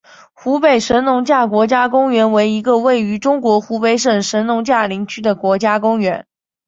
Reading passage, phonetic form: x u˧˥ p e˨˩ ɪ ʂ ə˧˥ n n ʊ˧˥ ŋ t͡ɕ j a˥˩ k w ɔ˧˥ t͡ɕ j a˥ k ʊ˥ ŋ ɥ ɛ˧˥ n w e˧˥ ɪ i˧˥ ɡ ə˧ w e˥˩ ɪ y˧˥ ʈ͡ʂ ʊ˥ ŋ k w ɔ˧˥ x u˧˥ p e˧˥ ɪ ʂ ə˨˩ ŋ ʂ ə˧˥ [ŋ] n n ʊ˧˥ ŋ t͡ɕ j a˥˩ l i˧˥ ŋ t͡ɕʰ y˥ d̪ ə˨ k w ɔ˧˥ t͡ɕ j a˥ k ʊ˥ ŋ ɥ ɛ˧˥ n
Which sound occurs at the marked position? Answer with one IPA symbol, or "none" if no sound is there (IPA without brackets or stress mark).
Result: none